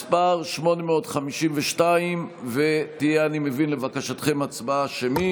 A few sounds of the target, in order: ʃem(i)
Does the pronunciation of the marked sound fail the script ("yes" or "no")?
no